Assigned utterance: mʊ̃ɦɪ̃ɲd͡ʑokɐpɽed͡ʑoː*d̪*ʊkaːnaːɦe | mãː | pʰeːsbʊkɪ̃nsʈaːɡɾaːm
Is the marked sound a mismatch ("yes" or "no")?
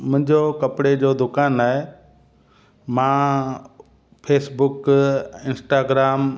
no